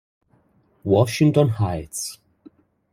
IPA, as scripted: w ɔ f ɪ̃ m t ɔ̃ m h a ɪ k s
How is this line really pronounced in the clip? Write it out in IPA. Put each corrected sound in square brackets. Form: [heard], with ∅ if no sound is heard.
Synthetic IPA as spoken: w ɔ [ʃ] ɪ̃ [ŋ] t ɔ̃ [n] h a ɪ [t] s